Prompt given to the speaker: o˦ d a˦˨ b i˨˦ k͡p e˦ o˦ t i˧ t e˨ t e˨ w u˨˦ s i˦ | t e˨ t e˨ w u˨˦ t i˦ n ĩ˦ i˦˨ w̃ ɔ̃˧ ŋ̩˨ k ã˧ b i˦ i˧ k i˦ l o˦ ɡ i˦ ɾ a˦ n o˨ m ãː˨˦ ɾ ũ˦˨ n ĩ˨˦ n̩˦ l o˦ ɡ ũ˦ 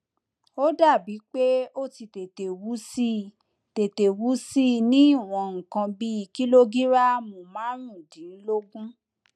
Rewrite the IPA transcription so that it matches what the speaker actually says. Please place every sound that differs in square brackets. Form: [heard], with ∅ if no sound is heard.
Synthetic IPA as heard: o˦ d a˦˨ b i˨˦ k͡p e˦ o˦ t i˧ t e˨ t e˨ w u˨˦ s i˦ | t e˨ t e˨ w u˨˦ [s] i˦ n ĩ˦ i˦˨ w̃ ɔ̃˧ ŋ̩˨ k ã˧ b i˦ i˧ k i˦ l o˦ ɡ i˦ ɾ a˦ [m] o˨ m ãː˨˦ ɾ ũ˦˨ [d] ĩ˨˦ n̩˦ l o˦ ɡ ũ˦